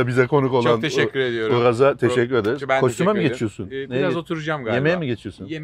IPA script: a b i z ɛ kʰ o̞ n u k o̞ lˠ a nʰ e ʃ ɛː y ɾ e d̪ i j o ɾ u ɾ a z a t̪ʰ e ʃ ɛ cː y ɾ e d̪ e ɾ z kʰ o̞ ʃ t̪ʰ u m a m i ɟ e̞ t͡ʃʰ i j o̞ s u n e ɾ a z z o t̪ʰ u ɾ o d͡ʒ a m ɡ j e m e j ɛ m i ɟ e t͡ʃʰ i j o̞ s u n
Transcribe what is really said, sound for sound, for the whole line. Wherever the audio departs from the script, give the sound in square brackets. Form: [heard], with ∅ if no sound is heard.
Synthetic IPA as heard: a b i z ɛ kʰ o̞ n u k o̞ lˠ a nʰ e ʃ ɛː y ɾ e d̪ i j o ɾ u ɾ a z a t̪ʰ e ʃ ɛ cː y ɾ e d̪ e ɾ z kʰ o̞ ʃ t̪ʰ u m a m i ɟ e̞ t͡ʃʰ i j o̞ s u n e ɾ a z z o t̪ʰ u ɾ [u] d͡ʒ a m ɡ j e m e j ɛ m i ɟ e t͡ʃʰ i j o̞ s u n